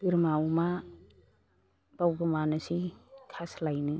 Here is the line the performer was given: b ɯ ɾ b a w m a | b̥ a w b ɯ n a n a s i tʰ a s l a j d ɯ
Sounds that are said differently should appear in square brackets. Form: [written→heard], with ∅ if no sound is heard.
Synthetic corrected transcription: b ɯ ɾ [b→m] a w m a | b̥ a w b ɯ [n→m] a n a s i [tʰ→kʰ] a s l a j [d→n] ɯ